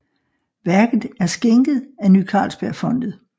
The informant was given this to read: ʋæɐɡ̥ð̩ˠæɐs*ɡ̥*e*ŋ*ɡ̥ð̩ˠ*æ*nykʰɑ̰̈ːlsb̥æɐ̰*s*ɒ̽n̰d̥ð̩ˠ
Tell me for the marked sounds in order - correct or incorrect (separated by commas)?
correct, correct, correct, incorrect